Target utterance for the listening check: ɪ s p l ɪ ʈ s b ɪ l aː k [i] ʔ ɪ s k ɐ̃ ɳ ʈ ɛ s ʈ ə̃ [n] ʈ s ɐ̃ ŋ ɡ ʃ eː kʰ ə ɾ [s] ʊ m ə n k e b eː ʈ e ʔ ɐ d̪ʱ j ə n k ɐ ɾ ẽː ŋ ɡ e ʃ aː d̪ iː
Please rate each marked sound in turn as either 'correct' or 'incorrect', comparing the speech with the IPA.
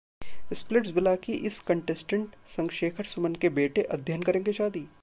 correct, incorrect, correct

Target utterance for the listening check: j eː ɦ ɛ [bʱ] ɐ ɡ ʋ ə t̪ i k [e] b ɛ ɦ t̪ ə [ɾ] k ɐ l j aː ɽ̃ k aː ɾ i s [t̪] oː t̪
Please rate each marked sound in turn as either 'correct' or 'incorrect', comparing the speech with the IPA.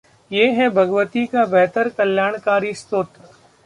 correct, incorrect, correct, correct

